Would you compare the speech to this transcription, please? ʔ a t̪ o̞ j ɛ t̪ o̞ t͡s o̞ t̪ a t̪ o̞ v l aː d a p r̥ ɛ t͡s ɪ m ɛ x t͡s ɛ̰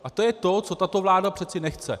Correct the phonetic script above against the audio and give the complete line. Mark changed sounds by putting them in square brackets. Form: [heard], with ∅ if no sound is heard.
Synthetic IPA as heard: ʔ a t̪ o̞ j ɛ t̪ o̞ t͡s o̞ t̪ a t̪ o̞ v l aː d a p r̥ ɛ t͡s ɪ [n] ɛ x t͡s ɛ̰

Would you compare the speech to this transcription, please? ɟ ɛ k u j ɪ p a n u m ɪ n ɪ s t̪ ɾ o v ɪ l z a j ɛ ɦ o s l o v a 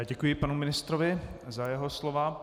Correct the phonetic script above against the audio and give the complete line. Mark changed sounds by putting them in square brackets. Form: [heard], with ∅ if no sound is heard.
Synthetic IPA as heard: ɟ ɛ k u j ɪ p a n u m ɪ n ɪ s t̪ ɾ o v ɪ [∅] z a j ɛ ɦ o s l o v a

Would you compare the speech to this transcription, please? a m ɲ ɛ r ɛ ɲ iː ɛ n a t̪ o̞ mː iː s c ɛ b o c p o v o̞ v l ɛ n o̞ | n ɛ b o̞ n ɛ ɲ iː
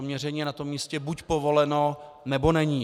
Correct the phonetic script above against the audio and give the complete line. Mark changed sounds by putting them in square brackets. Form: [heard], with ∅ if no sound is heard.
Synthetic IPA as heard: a m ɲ ɛ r ɛ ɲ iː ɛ n a t̪ o̞ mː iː s c ɛ b [u] c p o v o̞ [∅] l ɛ n o̞ | n ɛ b o̞ n ɛ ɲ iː

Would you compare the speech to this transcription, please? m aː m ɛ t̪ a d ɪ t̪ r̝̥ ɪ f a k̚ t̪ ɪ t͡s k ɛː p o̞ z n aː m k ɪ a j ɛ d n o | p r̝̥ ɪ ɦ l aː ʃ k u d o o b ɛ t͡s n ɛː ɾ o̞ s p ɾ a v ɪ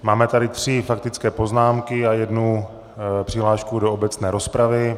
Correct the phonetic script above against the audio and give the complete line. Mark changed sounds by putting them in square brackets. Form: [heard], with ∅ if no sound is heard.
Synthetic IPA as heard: m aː m ɛ t̪ a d ɪ t̪ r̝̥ ɪ f a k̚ t̪ ɪ t͡s k ɛː p o̞ z n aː m k ɪ a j ɛ d n [u] | p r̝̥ ɪ ɦ l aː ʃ k u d o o b ɛ t͡s n ɛː ɾ o̞ s p ɾ a v ɪ

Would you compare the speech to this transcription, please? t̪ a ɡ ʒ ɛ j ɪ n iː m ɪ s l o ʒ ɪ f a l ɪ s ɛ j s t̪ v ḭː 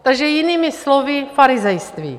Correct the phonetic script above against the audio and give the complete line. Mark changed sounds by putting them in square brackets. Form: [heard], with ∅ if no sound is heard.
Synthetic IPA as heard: t̪ a ɡ ʒ ɛ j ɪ n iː m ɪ s l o [v] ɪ f a [ɾ] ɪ [z] ɛ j s t̪ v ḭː

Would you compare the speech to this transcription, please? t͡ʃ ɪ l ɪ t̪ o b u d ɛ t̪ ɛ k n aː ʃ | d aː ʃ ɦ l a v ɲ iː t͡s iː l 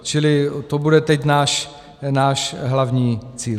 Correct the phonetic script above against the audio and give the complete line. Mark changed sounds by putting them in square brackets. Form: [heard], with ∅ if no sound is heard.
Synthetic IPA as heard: t͡ʃ ɪ l ɪ t̪ o b u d ɛ t̪ ɛ [c] n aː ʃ | [n] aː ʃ ɦ l a v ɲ iː t͡s iː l

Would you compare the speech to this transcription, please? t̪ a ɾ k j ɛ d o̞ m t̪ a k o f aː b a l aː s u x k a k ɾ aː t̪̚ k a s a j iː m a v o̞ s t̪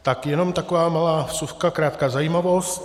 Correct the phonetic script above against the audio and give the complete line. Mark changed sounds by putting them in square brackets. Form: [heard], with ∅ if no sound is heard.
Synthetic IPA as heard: t̪ a [∅] k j ɛ [n] o̞ m t̪ a k o [v] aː [m] a l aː s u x k a k ɾ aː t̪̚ k a [z] a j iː m a v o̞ s t̪

